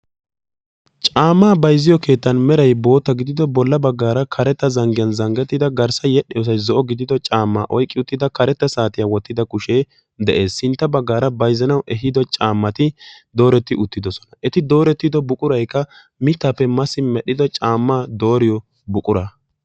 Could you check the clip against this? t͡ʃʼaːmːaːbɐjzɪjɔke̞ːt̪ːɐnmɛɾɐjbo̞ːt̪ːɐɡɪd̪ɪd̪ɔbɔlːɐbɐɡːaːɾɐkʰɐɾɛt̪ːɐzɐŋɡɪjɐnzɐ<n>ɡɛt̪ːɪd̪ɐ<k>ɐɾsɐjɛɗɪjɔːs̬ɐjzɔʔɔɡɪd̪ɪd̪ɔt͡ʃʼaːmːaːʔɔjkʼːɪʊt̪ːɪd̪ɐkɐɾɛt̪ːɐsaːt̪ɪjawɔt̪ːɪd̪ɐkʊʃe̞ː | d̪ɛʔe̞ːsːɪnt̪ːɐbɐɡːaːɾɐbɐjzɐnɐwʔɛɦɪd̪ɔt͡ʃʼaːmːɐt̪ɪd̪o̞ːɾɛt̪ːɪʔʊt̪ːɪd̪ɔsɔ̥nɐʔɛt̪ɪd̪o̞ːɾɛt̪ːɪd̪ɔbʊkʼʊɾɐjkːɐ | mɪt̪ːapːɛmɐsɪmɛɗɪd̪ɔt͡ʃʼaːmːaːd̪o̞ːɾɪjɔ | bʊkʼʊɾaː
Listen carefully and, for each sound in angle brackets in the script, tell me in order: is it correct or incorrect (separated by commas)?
incorrect, incorrect